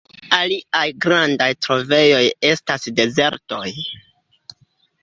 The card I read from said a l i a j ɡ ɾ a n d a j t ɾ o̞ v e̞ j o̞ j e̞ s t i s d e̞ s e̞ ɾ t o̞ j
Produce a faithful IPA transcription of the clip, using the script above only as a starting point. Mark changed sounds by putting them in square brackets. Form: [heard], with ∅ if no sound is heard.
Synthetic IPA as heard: a l i a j ɡ ɾ a n d a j t ɾ o̞ v e̞ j o̞ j e̞ s t [a] s d e̞ [z] e̞ ɾ t o̞ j

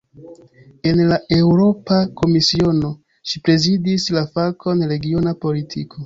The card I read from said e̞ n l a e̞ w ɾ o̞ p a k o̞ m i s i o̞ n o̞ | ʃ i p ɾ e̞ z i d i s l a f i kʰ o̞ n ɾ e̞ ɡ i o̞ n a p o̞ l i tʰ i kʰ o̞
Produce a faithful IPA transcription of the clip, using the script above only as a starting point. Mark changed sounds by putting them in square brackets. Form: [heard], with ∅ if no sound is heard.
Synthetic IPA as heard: e̞ n l a e̞ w ɾ o̞ p a k o̞ m i s i o̞ n o̞ | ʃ i p ɾ e̞ z i d i s l a f [a] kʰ o̞ n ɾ e̞ ɡ i o̞ n a p o̞ l i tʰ i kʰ o̞

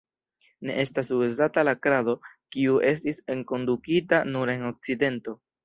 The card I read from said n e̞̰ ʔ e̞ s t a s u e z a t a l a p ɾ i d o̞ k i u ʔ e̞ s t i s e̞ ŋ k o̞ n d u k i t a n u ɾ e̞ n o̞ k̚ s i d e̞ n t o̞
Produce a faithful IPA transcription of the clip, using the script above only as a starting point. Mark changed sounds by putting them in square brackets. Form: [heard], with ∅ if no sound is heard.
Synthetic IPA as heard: n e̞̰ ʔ e̞ s t a s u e z a t a l a [k] ɾ [a] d o̞ k i u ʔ e̞ s t i s e̞ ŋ k o̞ n d u k i t a n u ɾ e̞ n o̞ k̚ [t͡s] i d e̞ n t o̞

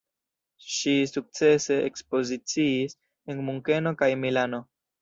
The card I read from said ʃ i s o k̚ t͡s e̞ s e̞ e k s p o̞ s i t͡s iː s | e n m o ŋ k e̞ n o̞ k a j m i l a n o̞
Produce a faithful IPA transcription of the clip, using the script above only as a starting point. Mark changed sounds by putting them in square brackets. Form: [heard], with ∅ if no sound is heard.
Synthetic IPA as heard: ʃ i s [u] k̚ t͡s e̞ s e̞ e k s p o̞ [z] i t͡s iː s | e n m [u] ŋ k e̞ n o̞ k a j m i l a n o̞

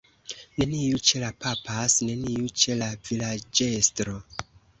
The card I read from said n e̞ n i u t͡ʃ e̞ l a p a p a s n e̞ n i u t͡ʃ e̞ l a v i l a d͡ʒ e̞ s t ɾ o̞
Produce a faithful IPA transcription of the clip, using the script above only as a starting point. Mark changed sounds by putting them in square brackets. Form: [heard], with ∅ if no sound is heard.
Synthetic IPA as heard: n e̞ n i u t͡ʃ e̞ l a p a p a s n e̞ n i u t͡ʃ e̞ l a v i l a d͡ʒ e̞ s t ɾ o̞

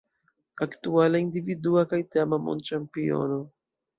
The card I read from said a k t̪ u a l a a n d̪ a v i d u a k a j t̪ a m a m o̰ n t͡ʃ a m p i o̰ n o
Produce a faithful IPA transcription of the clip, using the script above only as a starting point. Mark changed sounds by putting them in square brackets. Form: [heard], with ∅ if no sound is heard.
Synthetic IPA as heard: a k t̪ u a l a [i] n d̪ [i] v i d u a k a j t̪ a m a m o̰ n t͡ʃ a m p i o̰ n o

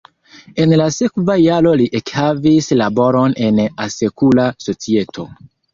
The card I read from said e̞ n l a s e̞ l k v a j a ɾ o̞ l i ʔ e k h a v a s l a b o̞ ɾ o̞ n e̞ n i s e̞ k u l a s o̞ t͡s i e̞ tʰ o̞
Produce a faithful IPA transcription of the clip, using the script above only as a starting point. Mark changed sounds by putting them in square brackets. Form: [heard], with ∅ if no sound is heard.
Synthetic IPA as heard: e̞ n l a s e̞ [∅] k v a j a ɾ o̞ l i ʔ e k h a v [i] s l a b o̞ ɾ o̞ n e̞ n [a] s e̞ k u l a s o̞ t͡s i e̞ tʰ o̞

